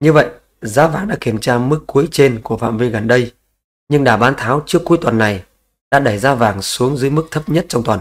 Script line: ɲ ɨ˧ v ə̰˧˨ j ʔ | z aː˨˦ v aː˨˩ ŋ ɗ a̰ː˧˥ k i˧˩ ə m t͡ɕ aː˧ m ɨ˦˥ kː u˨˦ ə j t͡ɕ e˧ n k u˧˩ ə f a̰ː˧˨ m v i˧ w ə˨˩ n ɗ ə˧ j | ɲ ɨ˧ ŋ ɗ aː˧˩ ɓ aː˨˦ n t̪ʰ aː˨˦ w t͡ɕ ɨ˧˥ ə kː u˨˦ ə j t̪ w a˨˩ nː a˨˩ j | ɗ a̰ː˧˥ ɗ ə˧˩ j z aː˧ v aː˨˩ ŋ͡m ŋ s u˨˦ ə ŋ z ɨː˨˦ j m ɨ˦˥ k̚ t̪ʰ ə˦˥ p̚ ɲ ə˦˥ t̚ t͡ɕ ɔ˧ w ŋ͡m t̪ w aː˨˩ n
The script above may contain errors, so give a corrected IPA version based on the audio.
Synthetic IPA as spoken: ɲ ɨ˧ v ə̰˧˨ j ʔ | z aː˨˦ v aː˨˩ ŋ ɗ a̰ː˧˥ k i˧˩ ə m t͡ɕ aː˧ m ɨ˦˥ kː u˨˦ ə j t͡ɕ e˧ n k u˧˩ ə f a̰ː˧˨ m v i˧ ɣ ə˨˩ n ɗ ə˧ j | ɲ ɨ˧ ŋ ɗ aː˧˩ ɓ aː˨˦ n t̪ʰ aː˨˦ w t͡ɕ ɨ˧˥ ə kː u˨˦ ə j t̪ w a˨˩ nː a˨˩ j | ɗ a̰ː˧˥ ɗ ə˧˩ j z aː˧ v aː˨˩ ŋ s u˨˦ ə ŋ z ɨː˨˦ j m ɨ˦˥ k̚ t̪ʰ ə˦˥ p̚ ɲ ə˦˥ t̚ t͡ɕ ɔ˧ w ŋ͡m t̪ w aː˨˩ n